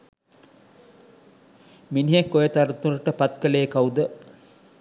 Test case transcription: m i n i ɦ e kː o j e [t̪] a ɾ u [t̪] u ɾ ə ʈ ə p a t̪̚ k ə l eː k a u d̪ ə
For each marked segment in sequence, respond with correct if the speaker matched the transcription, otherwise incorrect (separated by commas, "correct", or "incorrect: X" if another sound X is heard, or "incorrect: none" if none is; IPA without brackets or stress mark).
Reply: correct, correct